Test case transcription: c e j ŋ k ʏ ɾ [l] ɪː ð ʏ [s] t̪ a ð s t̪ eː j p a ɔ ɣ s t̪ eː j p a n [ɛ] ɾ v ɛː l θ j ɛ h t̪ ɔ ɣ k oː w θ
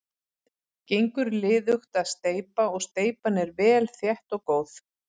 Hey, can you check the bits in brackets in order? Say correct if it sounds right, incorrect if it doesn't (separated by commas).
correct, incorrect, correct